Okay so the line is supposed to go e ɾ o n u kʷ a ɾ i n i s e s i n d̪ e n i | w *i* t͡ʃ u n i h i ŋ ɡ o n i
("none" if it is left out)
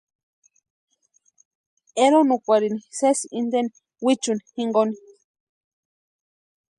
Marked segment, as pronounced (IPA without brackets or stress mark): i